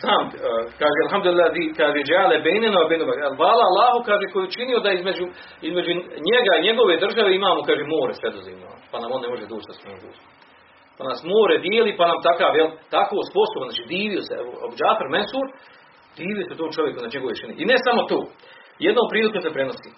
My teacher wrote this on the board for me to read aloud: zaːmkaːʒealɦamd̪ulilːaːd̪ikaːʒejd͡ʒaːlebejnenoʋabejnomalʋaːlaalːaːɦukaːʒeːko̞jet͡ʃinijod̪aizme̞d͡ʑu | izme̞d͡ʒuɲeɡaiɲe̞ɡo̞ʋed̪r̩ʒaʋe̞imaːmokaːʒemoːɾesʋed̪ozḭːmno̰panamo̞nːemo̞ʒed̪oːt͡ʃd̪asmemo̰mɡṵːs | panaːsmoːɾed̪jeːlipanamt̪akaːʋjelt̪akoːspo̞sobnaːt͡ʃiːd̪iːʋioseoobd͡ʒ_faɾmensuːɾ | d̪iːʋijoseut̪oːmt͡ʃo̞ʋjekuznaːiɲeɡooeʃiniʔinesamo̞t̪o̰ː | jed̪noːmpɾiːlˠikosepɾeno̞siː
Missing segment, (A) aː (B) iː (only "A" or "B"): A